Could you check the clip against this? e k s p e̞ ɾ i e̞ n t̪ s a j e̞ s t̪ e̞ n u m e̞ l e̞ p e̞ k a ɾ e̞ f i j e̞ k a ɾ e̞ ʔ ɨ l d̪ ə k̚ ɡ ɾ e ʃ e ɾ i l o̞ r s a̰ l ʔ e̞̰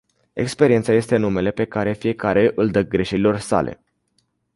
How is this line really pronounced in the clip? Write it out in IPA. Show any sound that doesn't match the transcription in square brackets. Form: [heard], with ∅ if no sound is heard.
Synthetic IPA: e k s p e̞ ɾ i e̞ n t̪ s a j e̞ s t̪ e̞ n u m e̞ l e̞ p e̞ k a ɾ e̞ f i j e̞ k a ɾ e̞ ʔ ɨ l d̪ ə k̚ ɡ ɾ e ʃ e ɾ i l o̞ r s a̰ l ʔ e̞̰